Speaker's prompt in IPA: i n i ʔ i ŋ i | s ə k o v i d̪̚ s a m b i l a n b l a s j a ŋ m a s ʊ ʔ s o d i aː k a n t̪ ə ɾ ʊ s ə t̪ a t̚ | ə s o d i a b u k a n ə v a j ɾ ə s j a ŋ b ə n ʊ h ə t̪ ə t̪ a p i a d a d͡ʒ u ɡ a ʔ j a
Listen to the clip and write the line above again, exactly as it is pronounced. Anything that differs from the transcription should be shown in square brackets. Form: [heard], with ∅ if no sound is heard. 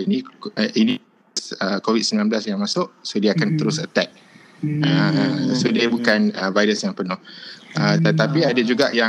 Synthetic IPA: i n i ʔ i [n] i | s ə k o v i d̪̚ s [ə] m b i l a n b l a s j a ŋ m a s ʊ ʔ s o d i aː k a n t̪ ə ɾ ʊ s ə t̪ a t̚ | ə s o d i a b u k a n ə v a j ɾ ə s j a ŋ [p] ə n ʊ h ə t̪ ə t̪ a p i a d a d͡ʒ u ɡ a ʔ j a